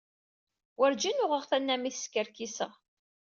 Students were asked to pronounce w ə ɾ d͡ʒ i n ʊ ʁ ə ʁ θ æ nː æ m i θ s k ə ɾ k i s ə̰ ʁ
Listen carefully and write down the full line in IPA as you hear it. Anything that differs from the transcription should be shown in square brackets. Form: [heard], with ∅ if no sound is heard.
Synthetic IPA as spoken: w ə ɾ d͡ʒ i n ʊ ʁ ə ʁ θ æ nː æ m i θ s k ə ɾ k i s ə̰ ʁ